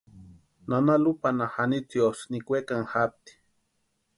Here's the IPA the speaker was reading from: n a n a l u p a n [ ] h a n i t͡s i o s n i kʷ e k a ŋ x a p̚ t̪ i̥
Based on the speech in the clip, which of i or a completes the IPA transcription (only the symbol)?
a